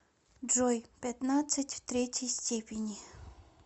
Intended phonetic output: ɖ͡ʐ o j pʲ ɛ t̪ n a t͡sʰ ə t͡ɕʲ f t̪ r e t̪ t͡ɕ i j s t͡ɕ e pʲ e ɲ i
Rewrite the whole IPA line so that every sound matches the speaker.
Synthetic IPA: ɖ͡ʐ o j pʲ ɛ t̪ n a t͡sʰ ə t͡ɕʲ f t̪ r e t͡ɕ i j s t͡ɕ e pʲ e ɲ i

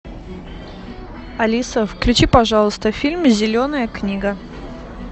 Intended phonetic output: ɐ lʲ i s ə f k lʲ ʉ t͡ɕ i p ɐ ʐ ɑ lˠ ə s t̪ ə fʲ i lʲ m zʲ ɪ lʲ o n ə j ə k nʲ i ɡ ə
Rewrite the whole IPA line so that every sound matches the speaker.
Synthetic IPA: ɐ lʲ i s ə f k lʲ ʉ t͡ɕ i p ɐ ʐ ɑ lˠ ə s t̪ ə fʲ i lʲ m zʲ ɪ lʲ o n ə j ə k nʲ i ɡ ə

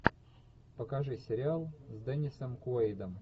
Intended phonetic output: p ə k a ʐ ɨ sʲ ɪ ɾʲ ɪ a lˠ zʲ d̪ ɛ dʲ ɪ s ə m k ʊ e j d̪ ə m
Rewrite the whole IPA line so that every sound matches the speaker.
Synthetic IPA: p ə k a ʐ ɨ sʲ ɪ ɾʲ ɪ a lˠ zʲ d̪ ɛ nʲ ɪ s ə m k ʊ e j d̪ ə m

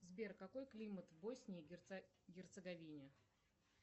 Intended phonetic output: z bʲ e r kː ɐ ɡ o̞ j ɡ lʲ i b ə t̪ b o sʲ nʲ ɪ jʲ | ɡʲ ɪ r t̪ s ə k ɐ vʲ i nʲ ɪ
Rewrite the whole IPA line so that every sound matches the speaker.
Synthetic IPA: z bʲ e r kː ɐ k o̞ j k lʲ i m ə t̪ b o sʲ nʲ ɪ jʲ | ɡʲ ɪ r t̪ s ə ɡ ɐ vʲ i nʲ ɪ

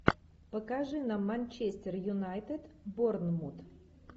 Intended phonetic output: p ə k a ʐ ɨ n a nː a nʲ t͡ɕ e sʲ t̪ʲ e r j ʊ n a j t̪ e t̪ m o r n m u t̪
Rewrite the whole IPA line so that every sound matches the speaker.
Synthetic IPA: p ə k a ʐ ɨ n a mː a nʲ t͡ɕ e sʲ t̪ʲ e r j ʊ n a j t̪ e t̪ b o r n m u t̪

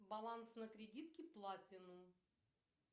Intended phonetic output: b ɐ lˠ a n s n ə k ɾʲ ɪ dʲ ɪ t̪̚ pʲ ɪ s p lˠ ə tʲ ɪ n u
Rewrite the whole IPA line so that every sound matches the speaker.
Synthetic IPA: b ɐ lˠ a n s n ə k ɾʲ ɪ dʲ i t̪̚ kʲ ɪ p lˠ a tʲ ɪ n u

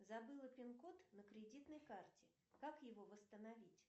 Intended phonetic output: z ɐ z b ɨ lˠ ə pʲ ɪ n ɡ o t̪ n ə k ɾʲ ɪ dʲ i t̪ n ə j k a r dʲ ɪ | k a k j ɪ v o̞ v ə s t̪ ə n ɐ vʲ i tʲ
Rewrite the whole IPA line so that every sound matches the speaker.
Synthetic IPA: z ɐ b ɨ lˠ ə pʲ ɪ n k o t̪ n ə k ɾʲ ɪ dʲ i t̪ n ə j k a r tʲ ɪ | k a k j ɪ v o̞ v ə s t̪ ə n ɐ vʲ i tʲ

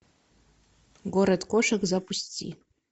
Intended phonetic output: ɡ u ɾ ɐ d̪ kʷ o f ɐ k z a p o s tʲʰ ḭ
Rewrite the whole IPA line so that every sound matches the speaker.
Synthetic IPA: ɡ o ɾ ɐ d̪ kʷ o ʂ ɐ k z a p u s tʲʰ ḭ

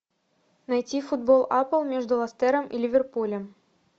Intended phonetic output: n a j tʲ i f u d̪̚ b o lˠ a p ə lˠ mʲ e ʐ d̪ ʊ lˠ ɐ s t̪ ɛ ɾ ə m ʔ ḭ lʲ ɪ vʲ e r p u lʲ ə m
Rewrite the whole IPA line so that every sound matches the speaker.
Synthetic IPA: n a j tʲ i f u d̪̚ b o lˠ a p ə lˠ mʲ e ʐ d̪ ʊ lˠ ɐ s t̪ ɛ ɾ ə m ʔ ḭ lʲ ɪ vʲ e r p u lʲ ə m

